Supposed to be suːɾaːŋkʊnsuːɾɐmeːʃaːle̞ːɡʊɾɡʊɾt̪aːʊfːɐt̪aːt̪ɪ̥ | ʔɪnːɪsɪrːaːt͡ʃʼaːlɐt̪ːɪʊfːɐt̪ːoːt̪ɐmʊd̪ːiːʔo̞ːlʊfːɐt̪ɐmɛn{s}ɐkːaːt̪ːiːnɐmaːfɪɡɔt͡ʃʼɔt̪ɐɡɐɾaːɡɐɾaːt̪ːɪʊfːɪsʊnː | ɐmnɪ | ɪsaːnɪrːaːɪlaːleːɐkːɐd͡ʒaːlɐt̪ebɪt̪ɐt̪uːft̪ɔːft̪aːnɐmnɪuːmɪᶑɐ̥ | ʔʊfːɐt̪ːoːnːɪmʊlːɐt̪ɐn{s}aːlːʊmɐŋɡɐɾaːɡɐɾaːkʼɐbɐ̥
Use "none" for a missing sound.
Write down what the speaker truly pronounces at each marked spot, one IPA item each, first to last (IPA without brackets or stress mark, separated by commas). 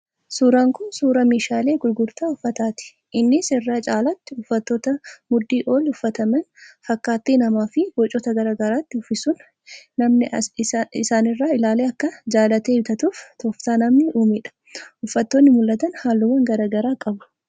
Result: f, h